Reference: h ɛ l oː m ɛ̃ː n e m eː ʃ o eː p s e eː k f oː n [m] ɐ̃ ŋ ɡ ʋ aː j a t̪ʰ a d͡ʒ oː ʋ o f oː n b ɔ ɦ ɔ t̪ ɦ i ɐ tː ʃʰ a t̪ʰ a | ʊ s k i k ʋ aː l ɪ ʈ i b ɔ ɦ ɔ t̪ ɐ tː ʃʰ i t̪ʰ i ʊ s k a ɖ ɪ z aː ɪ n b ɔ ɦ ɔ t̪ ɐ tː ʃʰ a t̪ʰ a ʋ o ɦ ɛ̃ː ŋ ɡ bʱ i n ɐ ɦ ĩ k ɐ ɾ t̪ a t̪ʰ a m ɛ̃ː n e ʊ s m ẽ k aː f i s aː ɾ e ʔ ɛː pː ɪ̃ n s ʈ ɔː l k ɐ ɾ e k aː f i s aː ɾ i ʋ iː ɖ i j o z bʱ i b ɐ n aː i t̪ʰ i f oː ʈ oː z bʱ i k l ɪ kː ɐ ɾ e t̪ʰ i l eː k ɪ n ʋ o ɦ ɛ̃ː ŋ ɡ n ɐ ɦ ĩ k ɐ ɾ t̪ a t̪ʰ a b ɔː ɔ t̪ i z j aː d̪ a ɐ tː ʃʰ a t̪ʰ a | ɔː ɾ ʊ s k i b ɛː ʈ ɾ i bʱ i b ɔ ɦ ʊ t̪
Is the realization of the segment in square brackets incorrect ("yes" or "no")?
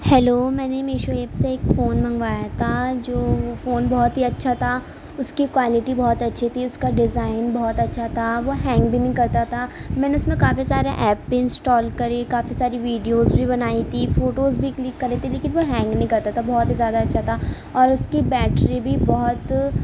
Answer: no